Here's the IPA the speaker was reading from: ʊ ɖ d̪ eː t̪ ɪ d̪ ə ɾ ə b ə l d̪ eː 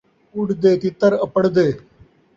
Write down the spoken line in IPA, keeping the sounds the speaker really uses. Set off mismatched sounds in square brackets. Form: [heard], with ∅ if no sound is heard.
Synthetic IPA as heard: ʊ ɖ d̪ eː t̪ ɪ [t̪] ə ɾ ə [p] ə [ɽ] d̪ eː